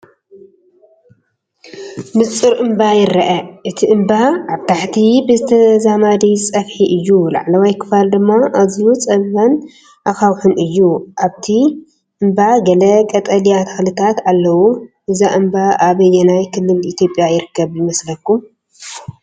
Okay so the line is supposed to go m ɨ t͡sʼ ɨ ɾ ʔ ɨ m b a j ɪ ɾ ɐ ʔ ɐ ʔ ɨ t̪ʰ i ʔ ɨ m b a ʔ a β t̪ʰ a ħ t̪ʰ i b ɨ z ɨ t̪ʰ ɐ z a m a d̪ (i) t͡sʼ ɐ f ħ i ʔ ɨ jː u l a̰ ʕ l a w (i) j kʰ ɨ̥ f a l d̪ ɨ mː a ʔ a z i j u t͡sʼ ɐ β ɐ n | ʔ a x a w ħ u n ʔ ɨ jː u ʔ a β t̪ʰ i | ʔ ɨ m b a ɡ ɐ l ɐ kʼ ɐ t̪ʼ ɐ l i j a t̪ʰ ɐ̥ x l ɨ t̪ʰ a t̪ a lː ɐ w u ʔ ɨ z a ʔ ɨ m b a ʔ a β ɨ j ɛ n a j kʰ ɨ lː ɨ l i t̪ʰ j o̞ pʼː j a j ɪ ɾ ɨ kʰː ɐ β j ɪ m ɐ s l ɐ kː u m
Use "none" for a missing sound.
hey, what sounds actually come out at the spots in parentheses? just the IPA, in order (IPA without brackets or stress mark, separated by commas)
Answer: i, a